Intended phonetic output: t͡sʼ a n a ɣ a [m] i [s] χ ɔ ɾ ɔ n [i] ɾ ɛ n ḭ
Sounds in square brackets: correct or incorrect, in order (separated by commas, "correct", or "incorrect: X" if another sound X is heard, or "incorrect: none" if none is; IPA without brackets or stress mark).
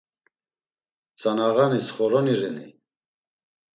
incorrect: n, correct, correct